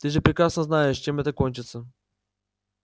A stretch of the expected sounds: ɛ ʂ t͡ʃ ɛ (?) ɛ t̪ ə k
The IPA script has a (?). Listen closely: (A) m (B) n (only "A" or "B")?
A